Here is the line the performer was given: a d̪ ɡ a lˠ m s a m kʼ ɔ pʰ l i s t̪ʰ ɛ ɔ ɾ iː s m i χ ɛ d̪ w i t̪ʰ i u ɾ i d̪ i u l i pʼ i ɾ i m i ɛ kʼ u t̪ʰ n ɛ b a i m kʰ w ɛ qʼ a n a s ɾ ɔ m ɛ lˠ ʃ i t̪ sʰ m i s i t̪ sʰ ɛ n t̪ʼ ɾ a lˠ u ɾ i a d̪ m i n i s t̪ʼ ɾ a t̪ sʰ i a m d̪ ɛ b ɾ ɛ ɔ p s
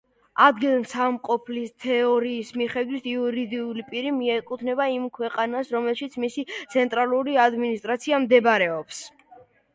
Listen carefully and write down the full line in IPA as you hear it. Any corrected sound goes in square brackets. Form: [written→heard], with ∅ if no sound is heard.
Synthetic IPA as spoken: a d̪ ɡ [a→i] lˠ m s a m [kʼ→qʼ] ɔ pʰ l i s t̪ʰ ɛ ɔ ɾ iː s m i χ ɛ d̪ w i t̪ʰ i u ɾ i d̪ i u l i pʼ i ɾ i m i ɛ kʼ u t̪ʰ n ɛ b a i m kʰ w ɛ qʼ a n a s ɾ ɔ m ɛ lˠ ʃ i t̪ sʰ m i s i t̪ sʰ ɛ n t̪ʼ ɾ a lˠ u ɾ i a d̪ m i n i s t̪ʼ ɾ a t̪ sʰ i a m d̪ ɛ b ɾ ɛ ɔ p s